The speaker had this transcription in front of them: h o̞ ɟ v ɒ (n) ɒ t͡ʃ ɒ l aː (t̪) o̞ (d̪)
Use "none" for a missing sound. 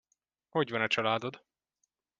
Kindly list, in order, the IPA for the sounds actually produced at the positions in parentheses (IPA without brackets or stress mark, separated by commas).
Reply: n, d̪, d̪